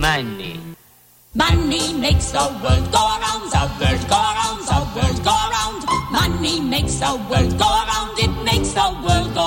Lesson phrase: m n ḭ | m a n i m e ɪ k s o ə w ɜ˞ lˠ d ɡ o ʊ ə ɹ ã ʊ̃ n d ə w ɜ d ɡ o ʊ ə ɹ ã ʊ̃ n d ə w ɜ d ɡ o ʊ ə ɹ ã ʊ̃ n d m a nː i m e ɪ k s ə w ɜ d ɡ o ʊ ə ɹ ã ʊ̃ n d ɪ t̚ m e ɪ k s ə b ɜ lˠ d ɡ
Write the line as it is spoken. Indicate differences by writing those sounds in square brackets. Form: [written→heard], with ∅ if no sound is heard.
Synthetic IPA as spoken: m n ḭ | m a n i m e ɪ k s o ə w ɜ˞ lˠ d ɡ o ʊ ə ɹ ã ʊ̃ n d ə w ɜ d ɡ o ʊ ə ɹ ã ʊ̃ n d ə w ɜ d ɡ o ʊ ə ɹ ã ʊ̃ n d m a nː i m e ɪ k s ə w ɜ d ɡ o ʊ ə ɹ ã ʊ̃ n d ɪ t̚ m e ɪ k s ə [b→w] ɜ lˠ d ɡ